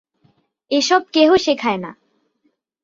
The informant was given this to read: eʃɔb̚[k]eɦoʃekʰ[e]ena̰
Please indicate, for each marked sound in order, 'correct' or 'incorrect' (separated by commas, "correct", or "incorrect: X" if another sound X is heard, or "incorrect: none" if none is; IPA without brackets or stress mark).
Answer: correct, incorrect: a